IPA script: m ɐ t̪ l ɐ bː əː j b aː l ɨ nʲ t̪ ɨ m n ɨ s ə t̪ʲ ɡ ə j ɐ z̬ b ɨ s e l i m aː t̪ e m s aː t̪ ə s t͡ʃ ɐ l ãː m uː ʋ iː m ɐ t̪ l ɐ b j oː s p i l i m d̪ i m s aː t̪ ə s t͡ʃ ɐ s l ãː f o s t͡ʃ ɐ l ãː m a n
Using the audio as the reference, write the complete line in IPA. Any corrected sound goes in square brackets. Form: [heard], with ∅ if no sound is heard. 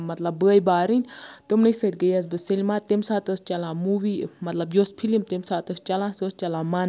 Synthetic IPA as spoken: m ɐ t̪ l ɐ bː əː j b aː [ɾ] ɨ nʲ t̪ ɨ m n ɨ s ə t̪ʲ ɡ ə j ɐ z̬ b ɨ s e l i m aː t̪ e m s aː t̪ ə s t͡ʃ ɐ l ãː m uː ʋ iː m ɐ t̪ l ɐ b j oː s [pʰ] i l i m [t̪] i m s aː t̪ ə s t͡ʃ ɐ [∅] l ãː [s] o s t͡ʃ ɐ l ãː m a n